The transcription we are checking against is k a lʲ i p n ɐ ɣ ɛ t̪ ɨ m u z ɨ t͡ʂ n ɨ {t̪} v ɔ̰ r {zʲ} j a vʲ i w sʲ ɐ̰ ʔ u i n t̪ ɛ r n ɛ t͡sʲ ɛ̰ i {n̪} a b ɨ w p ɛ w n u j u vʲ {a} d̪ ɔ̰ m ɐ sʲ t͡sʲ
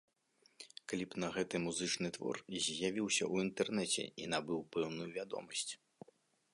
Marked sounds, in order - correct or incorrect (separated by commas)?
correct, correct, correct, correct